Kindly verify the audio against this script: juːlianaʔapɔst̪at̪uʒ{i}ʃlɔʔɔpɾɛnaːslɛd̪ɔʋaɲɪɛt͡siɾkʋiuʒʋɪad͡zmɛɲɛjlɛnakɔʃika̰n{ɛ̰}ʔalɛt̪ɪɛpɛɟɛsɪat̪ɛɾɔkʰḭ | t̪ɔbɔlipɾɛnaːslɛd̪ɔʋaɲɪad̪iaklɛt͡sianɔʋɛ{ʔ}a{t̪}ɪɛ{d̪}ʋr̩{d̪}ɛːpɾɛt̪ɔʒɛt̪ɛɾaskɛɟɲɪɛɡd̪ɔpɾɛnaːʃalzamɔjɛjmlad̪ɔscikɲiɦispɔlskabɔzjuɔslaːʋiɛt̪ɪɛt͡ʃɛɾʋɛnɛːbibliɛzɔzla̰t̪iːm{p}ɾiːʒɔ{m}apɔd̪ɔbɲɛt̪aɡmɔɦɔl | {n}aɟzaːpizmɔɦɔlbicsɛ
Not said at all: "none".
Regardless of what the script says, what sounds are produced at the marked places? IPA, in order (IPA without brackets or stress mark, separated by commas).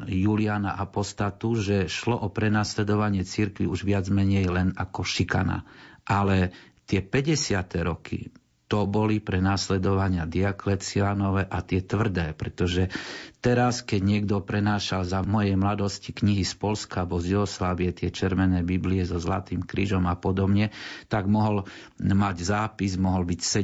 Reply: ɛ, a̰, ʔ, t̪, t̪, d̪, k, m, m